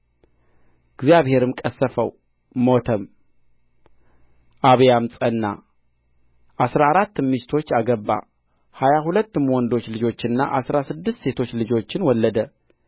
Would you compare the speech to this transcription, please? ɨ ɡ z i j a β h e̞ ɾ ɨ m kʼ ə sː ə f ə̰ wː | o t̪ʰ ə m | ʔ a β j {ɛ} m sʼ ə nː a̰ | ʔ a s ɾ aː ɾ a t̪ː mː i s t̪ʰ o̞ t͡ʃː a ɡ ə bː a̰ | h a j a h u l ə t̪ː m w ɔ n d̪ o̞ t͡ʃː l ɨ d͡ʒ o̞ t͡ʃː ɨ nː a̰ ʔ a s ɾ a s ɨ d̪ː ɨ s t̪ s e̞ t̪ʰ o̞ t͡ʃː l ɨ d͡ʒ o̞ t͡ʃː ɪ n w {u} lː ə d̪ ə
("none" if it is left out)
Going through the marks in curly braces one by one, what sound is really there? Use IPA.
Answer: a, ɔ

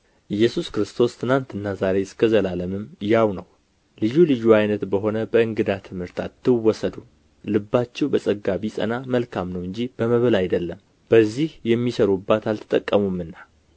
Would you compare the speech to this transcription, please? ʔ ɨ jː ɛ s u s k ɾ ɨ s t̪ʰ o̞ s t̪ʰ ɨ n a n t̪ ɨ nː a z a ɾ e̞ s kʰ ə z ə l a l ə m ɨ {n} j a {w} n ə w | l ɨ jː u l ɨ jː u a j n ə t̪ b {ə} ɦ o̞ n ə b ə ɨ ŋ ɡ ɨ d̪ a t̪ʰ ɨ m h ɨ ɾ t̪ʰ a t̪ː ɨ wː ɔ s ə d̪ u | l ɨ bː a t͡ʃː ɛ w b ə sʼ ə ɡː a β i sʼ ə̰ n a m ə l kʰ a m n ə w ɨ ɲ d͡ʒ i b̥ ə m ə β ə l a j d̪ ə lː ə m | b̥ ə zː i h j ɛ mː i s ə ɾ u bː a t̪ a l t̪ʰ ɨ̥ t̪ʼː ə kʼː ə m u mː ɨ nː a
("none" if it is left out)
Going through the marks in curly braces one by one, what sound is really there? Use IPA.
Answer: m, w, ə

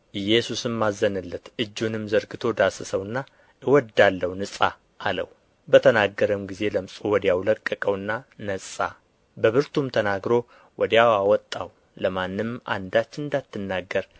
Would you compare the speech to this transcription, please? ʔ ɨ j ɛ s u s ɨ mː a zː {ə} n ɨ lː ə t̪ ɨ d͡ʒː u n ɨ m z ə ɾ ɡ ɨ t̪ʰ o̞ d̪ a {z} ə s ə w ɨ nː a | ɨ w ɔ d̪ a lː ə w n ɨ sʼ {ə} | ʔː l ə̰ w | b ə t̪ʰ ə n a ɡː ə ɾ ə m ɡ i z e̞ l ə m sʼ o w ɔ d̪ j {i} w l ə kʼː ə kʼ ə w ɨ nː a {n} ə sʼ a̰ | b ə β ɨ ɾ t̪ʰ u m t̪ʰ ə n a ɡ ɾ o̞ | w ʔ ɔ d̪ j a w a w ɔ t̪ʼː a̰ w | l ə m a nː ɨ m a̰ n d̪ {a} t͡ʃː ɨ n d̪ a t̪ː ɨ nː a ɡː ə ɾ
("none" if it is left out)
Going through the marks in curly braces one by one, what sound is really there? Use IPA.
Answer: ə, s, a, a, n, a

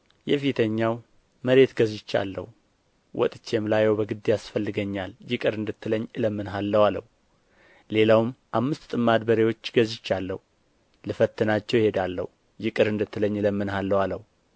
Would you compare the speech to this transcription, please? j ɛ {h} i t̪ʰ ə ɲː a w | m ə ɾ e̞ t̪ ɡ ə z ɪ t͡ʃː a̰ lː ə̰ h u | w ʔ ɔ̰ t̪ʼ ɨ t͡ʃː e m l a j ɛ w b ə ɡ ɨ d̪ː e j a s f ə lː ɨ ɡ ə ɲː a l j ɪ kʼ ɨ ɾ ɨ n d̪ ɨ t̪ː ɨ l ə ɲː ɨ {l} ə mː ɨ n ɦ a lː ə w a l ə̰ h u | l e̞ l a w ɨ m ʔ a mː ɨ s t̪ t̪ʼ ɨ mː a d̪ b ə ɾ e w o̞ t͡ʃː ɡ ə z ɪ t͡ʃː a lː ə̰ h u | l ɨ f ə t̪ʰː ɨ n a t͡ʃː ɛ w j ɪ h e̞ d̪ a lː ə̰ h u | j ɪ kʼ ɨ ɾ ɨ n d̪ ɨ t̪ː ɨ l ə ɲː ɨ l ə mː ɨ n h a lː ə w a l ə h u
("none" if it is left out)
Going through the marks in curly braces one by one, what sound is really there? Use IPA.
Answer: f, l

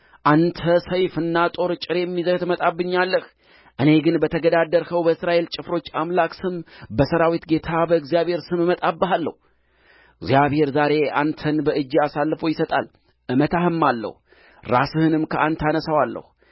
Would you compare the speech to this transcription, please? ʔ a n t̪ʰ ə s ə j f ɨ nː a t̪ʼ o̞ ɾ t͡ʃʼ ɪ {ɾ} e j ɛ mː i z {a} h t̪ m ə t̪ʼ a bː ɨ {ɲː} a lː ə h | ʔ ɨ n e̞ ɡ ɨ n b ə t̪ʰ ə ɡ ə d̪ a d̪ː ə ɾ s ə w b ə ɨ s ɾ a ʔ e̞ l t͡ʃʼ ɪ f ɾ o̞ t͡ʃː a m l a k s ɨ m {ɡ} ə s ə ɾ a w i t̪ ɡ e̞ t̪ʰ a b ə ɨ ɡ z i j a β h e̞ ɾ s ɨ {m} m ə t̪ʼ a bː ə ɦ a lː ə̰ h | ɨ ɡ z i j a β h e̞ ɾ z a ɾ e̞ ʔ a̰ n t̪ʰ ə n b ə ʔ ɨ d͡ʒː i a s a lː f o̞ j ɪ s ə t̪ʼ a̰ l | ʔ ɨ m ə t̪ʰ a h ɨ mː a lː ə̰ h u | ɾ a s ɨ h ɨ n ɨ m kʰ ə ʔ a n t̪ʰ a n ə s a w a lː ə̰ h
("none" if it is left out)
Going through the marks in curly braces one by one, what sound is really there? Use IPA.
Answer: ɾ, ə, ɲː, b, m

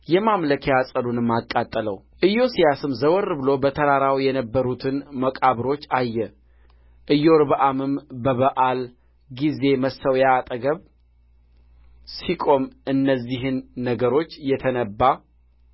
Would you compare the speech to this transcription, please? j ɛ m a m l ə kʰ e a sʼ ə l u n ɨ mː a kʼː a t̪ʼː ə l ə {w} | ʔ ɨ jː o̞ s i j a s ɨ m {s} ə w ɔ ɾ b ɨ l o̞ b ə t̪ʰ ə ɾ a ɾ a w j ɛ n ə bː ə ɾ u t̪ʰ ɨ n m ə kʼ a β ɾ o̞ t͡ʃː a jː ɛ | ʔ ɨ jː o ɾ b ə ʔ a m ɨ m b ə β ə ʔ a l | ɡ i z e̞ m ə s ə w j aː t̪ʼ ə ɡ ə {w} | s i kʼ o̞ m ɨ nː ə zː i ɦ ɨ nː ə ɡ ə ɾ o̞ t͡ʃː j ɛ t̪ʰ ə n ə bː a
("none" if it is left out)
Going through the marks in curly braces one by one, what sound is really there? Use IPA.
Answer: w, z, β

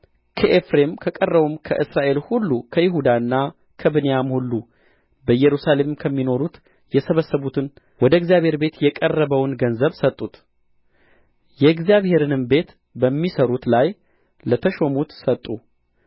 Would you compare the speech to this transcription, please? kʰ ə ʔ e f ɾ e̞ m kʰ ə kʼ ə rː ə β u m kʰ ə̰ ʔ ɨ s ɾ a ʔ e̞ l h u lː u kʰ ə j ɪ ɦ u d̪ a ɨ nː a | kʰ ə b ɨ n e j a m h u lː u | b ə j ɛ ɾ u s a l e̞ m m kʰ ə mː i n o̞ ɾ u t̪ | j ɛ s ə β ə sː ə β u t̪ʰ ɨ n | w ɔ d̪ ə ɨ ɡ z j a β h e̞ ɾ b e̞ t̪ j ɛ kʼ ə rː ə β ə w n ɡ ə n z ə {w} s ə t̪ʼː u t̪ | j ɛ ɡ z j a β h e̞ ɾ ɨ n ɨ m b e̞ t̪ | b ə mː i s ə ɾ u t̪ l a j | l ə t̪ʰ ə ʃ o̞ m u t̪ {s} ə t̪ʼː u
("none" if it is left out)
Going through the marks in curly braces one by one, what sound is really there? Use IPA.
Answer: β, s

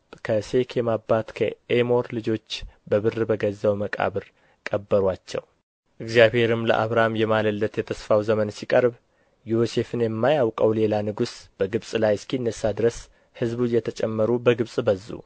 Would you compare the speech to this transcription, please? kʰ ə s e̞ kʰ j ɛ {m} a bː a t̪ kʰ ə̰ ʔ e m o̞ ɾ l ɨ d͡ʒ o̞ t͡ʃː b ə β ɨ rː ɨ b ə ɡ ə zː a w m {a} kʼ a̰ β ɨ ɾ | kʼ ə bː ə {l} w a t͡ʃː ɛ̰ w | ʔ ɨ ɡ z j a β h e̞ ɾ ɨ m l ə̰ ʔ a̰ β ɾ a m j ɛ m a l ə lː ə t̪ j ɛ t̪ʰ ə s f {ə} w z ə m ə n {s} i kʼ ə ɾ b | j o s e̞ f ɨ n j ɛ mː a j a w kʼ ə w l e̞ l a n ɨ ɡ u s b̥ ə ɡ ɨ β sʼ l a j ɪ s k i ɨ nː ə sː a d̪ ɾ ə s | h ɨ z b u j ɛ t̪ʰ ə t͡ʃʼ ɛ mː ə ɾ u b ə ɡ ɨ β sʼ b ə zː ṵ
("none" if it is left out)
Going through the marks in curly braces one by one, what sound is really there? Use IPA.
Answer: m, ə, ɾ, a, s

